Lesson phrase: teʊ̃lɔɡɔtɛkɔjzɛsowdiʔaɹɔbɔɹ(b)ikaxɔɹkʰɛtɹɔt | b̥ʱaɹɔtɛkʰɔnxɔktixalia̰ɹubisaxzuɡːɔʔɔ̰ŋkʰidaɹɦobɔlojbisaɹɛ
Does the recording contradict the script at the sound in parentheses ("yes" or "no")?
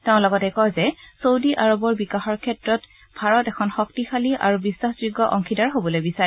no